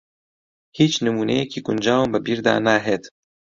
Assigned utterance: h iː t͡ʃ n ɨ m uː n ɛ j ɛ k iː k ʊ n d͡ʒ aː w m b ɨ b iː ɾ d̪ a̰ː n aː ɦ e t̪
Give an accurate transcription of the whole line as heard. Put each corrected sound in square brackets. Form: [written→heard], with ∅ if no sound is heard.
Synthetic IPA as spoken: h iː t͡ʃ n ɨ m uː n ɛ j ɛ k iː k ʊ n d͡ʒ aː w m b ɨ b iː ɾ d̪ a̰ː n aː ɦ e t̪